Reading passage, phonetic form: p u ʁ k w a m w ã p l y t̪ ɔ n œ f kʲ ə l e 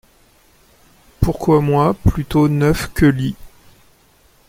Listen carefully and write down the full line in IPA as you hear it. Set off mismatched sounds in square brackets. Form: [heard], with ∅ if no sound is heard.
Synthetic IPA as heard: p u ʁ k w a m w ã p l y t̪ [o] n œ f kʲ ə l [i]